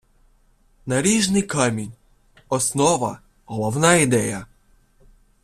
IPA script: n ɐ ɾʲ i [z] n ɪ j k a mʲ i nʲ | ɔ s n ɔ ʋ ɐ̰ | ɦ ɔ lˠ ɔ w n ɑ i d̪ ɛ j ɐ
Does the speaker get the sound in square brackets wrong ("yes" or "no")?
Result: yes